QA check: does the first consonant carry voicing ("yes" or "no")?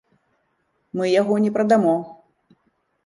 yes